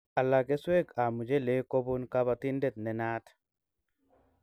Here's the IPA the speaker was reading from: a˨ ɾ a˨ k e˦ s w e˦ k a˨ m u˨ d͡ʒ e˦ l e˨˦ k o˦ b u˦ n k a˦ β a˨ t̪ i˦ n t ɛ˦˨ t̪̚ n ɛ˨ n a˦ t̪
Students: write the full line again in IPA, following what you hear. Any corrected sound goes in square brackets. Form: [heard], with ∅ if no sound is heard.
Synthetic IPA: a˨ [l] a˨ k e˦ s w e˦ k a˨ m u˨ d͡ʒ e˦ l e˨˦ k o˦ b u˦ n k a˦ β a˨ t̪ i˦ n [d] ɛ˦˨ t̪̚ n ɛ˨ n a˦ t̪